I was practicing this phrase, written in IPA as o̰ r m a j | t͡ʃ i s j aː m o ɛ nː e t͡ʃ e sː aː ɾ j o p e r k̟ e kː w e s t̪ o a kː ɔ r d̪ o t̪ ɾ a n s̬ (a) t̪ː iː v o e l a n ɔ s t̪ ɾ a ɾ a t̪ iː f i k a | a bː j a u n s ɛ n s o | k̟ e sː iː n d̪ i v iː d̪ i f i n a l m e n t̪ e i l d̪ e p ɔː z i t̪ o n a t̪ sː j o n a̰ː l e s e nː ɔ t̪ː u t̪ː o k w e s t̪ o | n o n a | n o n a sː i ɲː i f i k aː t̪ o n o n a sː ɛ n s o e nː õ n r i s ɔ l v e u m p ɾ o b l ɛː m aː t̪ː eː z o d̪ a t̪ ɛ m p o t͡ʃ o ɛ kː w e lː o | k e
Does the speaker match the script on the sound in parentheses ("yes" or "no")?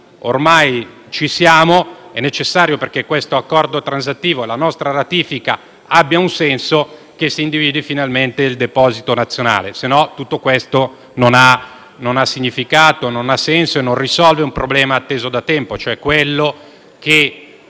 yes